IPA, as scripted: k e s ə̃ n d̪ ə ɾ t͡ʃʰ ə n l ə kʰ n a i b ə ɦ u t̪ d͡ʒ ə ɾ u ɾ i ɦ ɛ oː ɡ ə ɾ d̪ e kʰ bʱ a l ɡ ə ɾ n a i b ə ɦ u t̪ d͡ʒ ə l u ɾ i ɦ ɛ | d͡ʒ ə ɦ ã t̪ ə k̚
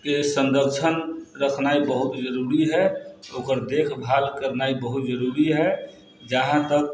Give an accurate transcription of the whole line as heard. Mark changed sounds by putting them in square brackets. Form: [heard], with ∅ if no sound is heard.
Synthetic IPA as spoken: k e s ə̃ n d̪ ə ɾ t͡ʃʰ ə n [ɾ] ə kʰ n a i b ə ɦ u t̪ d͡ʒ ə ɾ u ɾ i ɦ ɛ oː [k] ə ɾ d̪ e kʰ bʱ a l [k] ə ɾ n a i b ə ɦ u t̪ d͡ʒ ə [ɾ] u ɾ i ɦ ɛ | d͡ʒ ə ɦ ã t̪ ə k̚